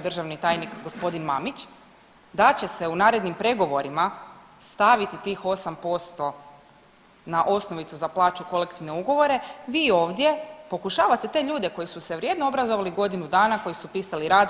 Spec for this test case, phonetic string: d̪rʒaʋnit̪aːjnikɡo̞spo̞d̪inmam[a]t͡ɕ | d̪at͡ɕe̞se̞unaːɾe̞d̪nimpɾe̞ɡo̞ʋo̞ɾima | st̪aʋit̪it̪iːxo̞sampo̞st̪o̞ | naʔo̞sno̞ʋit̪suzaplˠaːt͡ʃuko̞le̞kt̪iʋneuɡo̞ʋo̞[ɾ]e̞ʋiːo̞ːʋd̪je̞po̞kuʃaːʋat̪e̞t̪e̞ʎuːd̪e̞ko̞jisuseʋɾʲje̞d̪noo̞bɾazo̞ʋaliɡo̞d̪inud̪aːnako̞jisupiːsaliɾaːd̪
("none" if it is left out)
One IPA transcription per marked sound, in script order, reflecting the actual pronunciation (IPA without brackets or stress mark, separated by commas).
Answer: i, ɾ